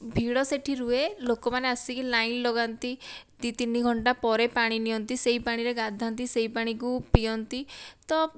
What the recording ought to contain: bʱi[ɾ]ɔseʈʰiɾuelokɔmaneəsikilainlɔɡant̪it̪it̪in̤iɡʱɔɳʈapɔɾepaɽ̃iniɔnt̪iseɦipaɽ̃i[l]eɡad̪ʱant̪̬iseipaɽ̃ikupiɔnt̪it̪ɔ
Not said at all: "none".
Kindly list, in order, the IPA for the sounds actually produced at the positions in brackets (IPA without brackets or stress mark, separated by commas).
ɽ, ɾ